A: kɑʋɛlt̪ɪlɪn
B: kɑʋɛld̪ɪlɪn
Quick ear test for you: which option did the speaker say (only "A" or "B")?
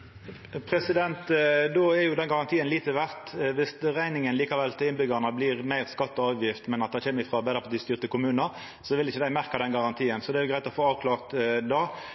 A